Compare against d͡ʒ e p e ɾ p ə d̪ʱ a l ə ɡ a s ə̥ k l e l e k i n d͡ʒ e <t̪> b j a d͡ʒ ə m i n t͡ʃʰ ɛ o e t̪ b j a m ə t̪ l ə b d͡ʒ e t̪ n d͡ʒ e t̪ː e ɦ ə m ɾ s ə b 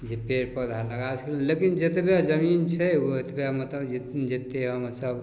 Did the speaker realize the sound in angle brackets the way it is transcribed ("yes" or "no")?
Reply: yes